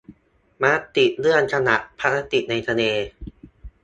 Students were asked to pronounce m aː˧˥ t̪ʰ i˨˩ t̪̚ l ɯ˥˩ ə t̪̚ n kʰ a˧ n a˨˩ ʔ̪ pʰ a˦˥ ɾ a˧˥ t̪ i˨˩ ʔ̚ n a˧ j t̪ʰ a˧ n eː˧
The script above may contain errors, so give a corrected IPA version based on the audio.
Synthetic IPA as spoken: m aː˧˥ t̪ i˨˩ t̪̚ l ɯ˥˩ ə n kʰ a˧ n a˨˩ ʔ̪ pʰ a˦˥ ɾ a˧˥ t̪ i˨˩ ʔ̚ n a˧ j t̪ʰ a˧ n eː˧